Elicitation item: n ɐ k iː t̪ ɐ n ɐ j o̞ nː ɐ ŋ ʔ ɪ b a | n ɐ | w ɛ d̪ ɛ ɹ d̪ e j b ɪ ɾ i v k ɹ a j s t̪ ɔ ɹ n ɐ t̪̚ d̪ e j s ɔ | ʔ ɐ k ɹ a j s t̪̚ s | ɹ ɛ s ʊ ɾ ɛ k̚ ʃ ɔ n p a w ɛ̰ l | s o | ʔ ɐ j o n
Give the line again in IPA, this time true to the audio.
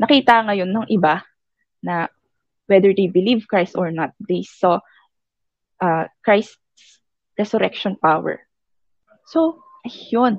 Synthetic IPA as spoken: n ɐ k iː t̪ ɐ ŋ ɐ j o̞ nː ɐ ŋ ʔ ɪ b a | n ɐ | w ɛ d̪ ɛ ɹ d̪ e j b ɪ l i v k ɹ a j s t̪ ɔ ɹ n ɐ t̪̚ d̪ e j s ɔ | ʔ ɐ k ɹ a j s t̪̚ s | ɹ ɛ s ʊ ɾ ɛ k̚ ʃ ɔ n p a w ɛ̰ ɹ | s o | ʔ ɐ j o n